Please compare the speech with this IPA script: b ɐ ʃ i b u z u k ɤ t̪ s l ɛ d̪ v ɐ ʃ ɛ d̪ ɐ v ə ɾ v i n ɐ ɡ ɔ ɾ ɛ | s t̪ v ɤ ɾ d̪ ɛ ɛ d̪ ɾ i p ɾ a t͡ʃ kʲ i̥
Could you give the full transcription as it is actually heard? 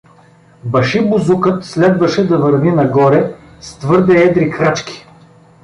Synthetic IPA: b ɐ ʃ i b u z u k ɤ t̪ s l ɛ d̪ v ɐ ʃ ɛ d̪ ɐ v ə ɾ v i n ɐ ɡ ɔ ɾ ɛ | s t̪ v ɤ ɾ d̪ ɛ ɛ d̪ ɾ i k ɾ a t͡ʃ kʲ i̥